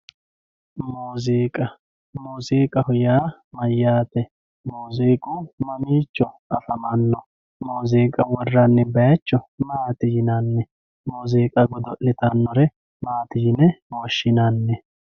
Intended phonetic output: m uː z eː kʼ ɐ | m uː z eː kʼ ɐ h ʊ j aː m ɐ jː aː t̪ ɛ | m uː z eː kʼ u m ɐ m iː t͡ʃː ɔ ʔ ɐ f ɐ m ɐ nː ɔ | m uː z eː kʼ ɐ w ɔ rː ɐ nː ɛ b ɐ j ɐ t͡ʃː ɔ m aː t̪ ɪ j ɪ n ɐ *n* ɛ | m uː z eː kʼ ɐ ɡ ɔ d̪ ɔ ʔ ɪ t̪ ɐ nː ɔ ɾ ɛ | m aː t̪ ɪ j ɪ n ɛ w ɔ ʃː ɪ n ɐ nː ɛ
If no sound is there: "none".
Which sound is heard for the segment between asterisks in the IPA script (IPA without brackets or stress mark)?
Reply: nː